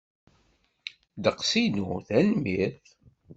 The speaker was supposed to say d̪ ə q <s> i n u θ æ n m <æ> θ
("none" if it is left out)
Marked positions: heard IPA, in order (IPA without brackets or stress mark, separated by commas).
s, i